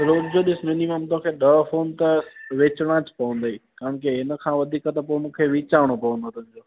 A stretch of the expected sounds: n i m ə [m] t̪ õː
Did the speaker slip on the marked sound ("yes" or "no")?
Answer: no